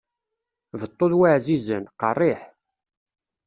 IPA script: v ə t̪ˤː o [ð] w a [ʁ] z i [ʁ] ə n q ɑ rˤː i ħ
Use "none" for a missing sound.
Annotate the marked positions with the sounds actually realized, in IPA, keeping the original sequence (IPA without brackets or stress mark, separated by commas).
ð, ʕ, z